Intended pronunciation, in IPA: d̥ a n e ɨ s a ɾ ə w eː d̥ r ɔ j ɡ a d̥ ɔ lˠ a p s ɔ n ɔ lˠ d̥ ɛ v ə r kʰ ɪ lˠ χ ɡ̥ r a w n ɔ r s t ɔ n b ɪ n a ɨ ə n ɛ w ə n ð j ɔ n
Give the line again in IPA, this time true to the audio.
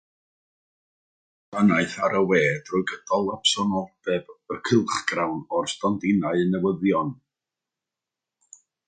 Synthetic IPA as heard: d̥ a n a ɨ θ a ɾ ə w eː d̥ r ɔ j ɡ ə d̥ ɔ lˠ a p s ɔ n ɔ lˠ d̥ ɛ b ə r kʰ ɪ lˠ χ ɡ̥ r a w n ɔ r s t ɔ n d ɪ n a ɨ ə n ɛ w ə ð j ɔ n